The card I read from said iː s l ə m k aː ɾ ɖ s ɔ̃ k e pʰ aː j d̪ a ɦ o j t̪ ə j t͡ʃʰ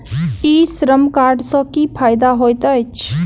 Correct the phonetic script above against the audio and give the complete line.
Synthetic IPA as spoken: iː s ɾ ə m k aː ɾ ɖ s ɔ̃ k i pʰ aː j d̪ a ɦ o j t̪ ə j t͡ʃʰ